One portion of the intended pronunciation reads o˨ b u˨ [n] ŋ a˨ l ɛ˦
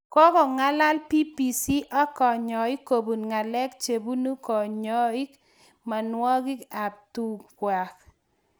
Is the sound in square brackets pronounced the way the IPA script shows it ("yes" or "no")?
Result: yes